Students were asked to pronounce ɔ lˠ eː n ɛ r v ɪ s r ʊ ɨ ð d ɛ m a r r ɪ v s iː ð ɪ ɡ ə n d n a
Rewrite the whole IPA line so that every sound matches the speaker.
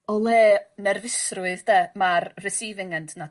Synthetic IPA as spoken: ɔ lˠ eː n ɛ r v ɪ s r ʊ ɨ ð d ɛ m a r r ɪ s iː v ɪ ŋ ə n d n a